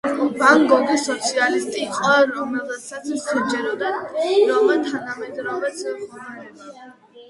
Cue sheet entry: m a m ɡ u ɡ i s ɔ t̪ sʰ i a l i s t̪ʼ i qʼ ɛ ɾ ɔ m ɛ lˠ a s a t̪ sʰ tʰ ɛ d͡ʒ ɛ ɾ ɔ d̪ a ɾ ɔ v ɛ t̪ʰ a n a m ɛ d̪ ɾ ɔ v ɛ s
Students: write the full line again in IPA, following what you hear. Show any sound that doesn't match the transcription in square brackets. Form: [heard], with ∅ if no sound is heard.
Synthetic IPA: [b] a [ŋ] ɡ [ɔ] ɡ i s ɔ t̪ sʰ i a l i s t̪ʼ i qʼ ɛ ɾ ɔ m ɛ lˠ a s a t̪ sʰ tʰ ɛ d͡ʒ ɛ ɾ ɔ d̪ a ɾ ɔ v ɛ t̪ʰ a n a m ɛ d̪ ɾ ɔ v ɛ s

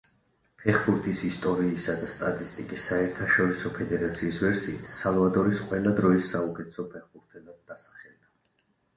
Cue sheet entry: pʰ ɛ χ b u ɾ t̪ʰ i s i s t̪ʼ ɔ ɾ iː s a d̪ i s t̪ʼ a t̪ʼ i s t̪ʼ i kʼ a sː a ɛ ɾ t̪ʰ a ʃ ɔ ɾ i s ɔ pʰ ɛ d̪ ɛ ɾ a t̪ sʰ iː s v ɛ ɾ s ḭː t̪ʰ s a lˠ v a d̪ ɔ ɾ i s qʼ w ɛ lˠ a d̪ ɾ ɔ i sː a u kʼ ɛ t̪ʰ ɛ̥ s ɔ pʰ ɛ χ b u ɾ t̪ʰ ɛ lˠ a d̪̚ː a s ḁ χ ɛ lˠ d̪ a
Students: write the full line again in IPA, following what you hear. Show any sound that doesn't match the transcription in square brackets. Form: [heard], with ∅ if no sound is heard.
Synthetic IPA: pʰ ɛ χ b u ɾ t̪ʰ i s i s t̪ʼ ɔ ɾ iː s a d̪ [a] s t̪ʼ a t̪ʼ i s t̪ʼ i kʼ [i] sː a ɛ ɾ t̪ʰ a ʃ ɔ ɾ i s ɔ pʰ ɛ d̪ ɛ ɾ a t̪ sʰ iː s v ɛ ɾ s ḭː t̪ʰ s a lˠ v a d̪ ɔ ɾ i s qʼ w ɛ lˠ a d̪ ɾ ɔ i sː a u kʼ ɛ t̪ʰ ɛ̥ s ɔ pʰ ɛ χ b u ɾ t̪ʰ ɛ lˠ a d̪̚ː a s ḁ χ ɛ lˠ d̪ a

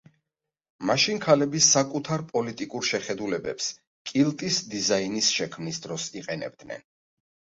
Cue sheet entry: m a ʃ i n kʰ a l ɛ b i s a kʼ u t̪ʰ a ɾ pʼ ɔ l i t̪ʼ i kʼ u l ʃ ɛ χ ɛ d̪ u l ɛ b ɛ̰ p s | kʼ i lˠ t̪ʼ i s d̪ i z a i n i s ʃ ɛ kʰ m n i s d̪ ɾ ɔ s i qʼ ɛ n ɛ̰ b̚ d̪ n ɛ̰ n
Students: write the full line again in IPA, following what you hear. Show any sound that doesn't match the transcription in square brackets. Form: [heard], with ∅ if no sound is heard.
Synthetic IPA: m a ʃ i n kʰ a l ɛ b i s a kʼ u t̪ʰ a ɾ pʼ ɔ l i t̪ʼ i kʼ u [ɾ] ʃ ɛ χ ɛ d̪ u l ɛ b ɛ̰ p s | kʼ i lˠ t̪ʼ i s d̪ i z a i n i s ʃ ɛ kʰ m n i s d̪ ɾ ɔ s i qʼ ɛ n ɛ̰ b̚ d̪ n ɛ̰ n

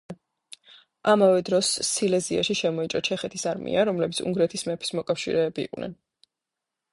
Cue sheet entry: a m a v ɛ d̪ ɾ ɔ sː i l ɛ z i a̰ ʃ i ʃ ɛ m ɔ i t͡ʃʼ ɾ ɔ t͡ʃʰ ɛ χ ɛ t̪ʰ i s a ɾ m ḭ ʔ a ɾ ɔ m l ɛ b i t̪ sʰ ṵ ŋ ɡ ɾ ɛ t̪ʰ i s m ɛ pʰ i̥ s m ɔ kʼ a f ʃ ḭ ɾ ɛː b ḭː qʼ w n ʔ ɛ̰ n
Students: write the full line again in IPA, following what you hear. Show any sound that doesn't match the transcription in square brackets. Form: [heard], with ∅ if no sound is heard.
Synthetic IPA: a m a v ɛ d̪ ɾ ɔ sː i l ɛ z i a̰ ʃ i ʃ ɛ m ɔ i t͡ʃʼ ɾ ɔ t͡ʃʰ ɛ χ ɛ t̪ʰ i s a ɾ m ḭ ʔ a ɾ ɔ m l ɛ b i t̪ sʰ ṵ ŋ ɡ ɾ ɛ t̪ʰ i s m ɛ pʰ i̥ s m ɔ kʼ a f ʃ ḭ ɾ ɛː b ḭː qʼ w n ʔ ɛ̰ n

